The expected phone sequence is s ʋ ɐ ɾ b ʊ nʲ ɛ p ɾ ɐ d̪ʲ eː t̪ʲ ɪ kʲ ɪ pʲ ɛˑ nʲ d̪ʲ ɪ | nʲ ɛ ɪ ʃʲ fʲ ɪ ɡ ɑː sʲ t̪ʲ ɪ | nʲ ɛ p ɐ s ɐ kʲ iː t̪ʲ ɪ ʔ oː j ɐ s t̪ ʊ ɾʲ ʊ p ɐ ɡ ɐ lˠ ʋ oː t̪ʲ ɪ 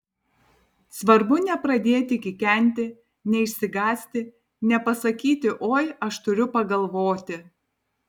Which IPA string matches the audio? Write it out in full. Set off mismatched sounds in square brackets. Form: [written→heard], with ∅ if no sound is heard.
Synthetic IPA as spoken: s ʋ ɐ ɾ b ʊ nʲ ɛ p ɾ ɐ d̪ʲ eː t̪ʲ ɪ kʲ ɪ [pʲ→kʲ] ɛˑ nʲ [d̪ʲ→t̪ʲ] ɪ | nʲ ɛ ɪ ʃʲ [fʲ→sʲ] ɪ ɡ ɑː sʲ t̪ʲ ɪ | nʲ ɛ p ɐ s ɐ kʲ iː t̪ʲ ɪ ʔ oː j ɐ [s→ʃ] t̪ ʊ ɾʲ ʊ p ɐ ɡ ɐ lˠ ʋ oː t̪ʲ ɪ